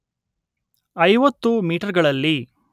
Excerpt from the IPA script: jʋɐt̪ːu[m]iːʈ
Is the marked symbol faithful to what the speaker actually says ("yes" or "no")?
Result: yes